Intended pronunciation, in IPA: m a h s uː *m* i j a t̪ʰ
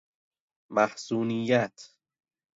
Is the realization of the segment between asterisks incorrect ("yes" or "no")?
yes